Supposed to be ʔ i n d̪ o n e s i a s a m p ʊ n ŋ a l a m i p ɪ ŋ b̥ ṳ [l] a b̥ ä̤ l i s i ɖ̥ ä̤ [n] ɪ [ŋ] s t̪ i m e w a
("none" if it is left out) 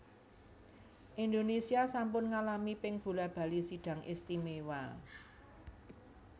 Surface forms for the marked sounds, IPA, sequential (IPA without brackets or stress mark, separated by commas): l, ŋ, none